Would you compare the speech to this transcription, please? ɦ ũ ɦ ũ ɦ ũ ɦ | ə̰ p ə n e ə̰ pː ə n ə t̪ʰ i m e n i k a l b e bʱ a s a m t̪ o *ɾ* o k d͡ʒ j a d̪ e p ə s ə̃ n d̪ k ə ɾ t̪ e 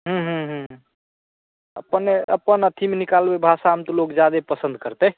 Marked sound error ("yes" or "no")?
yes